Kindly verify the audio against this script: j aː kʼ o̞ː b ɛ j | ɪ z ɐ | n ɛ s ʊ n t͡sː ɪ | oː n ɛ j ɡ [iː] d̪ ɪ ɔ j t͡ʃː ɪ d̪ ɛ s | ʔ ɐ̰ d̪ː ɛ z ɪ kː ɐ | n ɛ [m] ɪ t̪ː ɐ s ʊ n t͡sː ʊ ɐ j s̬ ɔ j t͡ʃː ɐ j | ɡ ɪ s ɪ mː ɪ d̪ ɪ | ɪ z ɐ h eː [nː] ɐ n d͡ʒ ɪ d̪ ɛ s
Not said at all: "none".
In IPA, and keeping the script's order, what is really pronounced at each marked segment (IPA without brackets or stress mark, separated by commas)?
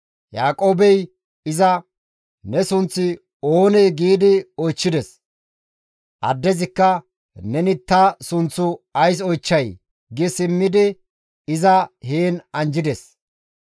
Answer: iː, n, n